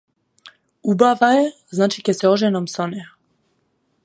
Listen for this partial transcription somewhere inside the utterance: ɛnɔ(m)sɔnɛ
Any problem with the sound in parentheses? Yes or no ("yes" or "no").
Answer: no